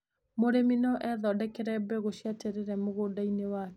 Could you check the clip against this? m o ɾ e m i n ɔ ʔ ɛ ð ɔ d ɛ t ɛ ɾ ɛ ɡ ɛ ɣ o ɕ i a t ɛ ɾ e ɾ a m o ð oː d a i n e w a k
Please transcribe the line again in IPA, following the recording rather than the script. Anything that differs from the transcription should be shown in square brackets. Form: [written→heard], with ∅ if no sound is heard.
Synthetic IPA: m o ɾ e m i n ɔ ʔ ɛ ð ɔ d ɛ [t→k] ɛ ɾ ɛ [ɡ→b] ɛ ɣ o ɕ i a t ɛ ɾ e ɾ [a→ɛ] m o [ð→ɣ] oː d a i n e w a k